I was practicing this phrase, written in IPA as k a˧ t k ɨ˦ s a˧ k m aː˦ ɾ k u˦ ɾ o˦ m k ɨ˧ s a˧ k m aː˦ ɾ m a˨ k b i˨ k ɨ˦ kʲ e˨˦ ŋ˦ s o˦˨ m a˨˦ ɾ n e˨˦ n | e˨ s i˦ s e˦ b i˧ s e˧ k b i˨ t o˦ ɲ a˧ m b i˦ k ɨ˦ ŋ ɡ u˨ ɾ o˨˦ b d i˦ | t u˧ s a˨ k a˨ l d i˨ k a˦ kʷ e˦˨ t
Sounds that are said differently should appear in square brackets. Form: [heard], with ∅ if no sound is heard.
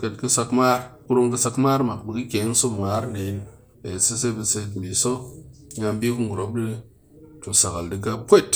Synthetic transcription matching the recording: k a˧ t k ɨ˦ s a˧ k m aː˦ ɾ k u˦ ɾ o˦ [ŋ] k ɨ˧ s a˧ k m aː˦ ɾ m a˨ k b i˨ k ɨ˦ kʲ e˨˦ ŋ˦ s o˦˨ m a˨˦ ɾ n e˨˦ n | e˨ s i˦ s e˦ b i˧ s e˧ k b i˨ [s] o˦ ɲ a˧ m b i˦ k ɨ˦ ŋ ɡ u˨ ɾ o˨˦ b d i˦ | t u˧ s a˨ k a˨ l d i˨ [ɡ] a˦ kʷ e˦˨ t